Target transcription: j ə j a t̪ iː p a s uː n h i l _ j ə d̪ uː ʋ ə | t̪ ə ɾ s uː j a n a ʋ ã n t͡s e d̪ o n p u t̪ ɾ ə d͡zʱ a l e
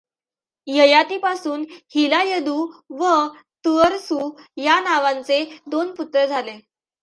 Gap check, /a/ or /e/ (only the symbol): a